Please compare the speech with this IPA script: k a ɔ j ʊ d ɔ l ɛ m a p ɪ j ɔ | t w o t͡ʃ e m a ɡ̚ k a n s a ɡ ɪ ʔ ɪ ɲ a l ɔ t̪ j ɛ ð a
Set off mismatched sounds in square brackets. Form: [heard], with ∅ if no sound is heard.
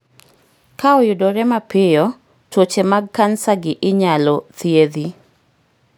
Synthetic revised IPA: k a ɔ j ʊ d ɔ [ɾ] ɛ m a p ɪ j ɔ | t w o t͡ʃ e m a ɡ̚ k a n s a ɡ ɪ ʔ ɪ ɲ a l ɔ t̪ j [e] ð [i]